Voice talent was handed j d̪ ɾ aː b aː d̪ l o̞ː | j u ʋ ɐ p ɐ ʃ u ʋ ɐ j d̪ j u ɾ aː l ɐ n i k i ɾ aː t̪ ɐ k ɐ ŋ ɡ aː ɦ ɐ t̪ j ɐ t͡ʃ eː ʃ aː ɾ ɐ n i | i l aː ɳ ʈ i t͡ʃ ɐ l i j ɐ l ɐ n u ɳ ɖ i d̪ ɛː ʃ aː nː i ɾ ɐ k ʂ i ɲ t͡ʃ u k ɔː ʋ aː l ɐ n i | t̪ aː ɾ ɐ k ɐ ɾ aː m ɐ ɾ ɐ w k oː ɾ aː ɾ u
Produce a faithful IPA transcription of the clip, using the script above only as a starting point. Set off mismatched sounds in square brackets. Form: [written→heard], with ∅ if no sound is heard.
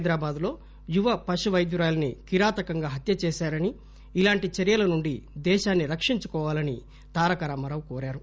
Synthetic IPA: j d̪ ɾ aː b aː d̪ l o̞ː | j u ʋ ɐ p ɐ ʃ u ʋ ɐ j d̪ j u ɾ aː l ɐ n i k i ɾ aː t̪ ɐ k ɐ ŋ ɡ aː ɦ ɐ t̪ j ɐ t͡ʃ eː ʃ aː ɾ ɐ n i | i l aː ɳ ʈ i t͡ʃ ɐ [l→ɾ] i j ɐ l ɐ n u ɳ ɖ i d̪ ɛː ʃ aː nː i ɾ ɐ k ʂ i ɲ t͡ʃ u k ɔː ʋ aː l ɐ n i | t̪ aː ɾ ɐ k ɐ ɾ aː m ɐ ɾ ɐ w k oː ɾ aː ɾ u